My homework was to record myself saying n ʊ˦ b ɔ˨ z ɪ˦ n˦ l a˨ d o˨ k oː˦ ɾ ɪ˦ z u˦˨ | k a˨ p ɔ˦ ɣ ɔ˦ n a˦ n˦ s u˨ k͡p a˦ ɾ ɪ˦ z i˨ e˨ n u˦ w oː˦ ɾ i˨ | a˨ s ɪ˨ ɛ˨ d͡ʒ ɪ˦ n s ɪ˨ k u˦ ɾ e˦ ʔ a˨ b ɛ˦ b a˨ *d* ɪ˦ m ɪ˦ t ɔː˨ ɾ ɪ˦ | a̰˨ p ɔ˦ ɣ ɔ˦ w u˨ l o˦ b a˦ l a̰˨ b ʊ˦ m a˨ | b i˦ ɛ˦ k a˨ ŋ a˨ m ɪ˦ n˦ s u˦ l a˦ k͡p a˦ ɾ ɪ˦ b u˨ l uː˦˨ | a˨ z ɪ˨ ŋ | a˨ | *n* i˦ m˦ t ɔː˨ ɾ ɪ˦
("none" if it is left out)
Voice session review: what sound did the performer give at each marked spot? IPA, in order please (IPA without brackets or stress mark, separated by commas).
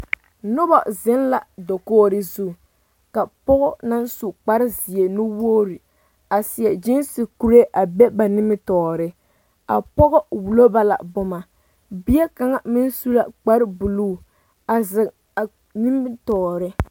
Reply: n, n